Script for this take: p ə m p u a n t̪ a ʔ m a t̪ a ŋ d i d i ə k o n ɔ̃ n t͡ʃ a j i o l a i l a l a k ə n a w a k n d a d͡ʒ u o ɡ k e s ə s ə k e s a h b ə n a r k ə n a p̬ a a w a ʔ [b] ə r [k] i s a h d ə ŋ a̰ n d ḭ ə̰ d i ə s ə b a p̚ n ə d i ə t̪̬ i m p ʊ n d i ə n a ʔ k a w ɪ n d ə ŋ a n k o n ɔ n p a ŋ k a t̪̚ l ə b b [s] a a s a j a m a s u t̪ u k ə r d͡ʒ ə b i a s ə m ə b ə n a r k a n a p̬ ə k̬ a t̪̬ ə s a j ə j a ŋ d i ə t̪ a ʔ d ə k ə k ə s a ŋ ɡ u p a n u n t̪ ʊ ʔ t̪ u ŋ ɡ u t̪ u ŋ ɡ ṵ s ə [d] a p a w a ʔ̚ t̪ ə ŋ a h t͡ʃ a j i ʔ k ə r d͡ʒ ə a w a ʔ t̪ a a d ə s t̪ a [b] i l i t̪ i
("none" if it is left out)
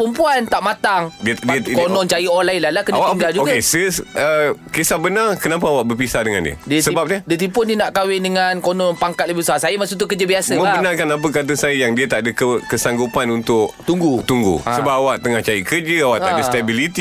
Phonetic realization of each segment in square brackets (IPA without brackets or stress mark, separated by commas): b, p, s, b, b